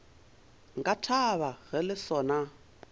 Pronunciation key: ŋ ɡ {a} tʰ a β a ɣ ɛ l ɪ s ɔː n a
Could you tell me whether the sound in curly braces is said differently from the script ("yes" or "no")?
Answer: no